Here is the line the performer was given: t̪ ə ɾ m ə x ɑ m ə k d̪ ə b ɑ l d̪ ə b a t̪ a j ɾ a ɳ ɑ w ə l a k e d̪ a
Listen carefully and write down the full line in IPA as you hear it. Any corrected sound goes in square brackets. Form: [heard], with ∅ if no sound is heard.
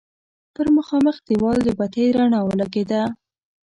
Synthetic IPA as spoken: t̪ ə ɾ m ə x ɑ m ə [x] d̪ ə [w] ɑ l d̪ ə b a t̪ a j ɾ a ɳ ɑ w ə l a [ɡ] e d̪ a